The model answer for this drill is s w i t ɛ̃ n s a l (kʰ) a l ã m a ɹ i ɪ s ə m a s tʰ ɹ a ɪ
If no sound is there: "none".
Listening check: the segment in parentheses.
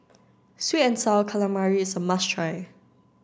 kʰ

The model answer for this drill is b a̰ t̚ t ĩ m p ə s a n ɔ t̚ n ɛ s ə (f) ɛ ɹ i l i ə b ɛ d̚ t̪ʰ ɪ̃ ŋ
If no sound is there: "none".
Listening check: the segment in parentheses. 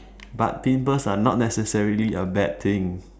s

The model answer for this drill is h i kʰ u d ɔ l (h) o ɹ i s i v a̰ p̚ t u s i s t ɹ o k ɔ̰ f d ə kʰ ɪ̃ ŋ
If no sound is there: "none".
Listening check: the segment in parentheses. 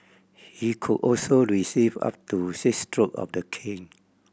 s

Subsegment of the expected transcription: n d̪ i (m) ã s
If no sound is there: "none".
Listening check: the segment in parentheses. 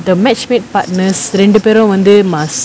m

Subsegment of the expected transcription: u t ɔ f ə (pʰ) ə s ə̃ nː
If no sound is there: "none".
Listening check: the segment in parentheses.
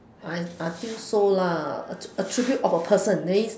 pʰ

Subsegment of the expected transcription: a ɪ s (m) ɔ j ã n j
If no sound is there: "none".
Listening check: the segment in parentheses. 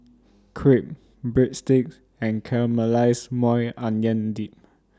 m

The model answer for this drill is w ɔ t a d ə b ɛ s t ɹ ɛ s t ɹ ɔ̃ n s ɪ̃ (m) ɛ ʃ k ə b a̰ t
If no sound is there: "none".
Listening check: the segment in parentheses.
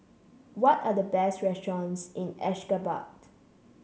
n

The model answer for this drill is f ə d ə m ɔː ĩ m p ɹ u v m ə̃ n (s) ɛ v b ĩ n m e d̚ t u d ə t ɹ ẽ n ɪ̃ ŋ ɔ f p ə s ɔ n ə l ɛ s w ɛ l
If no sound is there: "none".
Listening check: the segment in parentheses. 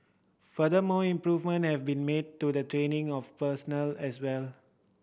h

